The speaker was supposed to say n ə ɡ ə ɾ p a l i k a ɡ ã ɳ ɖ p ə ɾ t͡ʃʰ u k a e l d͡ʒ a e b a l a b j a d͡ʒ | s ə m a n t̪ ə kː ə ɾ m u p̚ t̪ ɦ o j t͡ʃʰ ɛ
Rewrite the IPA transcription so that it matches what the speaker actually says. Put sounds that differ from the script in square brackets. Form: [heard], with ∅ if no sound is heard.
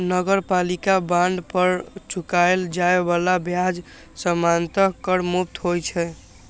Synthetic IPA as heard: n ə ɡ ə ɾ p a l i k a [b] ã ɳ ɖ p ə ɾ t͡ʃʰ u k a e l d͡ʒ a e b a l a b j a d͡ʒ | s ə m a n t̪ ə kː ə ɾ m u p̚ t̪ ɦ o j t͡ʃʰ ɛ